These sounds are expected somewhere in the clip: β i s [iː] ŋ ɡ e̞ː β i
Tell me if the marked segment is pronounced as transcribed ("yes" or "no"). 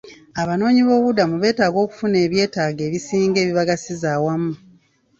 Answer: yes